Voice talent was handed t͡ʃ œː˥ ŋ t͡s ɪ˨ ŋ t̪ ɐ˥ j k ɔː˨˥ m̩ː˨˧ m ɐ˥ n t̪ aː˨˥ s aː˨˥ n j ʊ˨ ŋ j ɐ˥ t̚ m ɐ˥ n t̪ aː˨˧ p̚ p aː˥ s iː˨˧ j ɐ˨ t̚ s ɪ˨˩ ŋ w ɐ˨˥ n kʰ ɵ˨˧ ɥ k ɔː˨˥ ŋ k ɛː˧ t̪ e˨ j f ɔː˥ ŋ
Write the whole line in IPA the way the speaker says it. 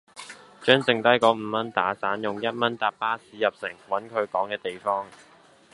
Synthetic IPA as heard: t͡ʃ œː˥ ŋ t͡s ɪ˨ ŋ t̪ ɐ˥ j k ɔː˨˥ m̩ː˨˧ m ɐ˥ n t̪ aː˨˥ s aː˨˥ n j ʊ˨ ŋ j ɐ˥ t̚ m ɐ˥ n t̪ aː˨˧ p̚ p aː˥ s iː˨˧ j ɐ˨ p̚ s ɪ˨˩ ŋ w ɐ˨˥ n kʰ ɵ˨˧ ɥ k ɔː˨˥ ŋ k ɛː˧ t̪ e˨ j f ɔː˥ ŋ